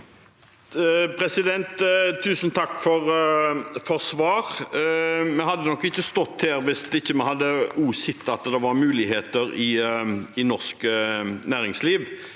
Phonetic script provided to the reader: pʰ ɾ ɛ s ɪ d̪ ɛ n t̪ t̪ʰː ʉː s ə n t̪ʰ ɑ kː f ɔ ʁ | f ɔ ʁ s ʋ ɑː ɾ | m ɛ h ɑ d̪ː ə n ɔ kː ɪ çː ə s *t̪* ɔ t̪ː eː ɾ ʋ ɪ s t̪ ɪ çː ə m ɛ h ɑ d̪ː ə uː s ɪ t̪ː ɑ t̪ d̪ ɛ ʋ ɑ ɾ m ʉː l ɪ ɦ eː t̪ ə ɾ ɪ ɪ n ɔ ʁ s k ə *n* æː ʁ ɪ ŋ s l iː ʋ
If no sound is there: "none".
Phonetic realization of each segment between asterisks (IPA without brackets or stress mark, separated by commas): t̪, n